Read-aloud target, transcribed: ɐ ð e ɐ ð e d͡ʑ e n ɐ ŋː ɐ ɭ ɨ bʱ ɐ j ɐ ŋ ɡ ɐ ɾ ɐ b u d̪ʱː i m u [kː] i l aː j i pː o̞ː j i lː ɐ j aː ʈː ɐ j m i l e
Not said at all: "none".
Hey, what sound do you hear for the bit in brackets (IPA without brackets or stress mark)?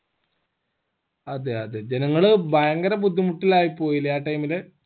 ʈː